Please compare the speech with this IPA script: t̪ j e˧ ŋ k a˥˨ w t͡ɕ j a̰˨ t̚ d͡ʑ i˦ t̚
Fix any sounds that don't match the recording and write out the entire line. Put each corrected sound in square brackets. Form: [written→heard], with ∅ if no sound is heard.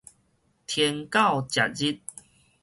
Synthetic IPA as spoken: [t̪→t̪ʰ] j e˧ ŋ k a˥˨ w t͡ɕ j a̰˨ t̚ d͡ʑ i˦ t̚